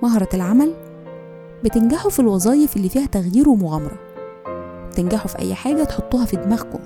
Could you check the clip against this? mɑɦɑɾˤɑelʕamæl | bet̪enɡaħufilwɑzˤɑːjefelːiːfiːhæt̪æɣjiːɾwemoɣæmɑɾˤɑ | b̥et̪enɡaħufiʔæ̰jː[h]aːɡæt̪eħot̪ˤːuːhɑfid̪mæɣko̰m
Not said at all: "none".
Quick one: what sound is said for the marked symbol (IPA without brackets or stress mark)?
ħ